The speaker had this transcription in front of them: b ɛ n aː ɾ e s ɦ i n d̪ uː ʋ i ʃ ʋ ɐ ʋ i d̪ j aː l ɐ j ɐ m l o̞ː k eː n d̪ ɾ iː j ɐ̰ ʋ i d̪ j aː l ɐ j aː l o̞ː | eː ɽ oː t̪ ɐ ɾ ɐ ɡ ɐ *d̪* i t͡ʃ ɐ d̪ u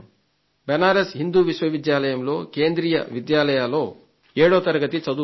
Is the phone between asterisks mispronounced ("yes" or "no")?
yes